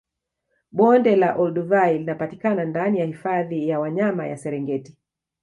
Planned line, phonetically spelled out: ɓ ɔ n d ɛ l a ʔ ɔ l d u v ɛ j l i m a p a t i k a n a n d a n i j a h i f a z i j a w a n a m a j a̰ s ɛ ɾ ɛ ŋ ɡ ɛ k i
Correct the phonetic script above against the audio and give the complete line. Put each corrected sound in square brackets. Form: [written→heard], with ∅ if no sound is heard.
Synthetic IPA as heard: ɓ ɔ n d ɛ l a ʔ ɔ l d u v [ɛ→a] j l i [m→n] a p a t i k a n a n d a n i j a h i f a [z→ð] i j a w a [n→ɲ] a m a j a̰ s ɛ ɾ ɛ ŋ ɡ ɛ [k→t] i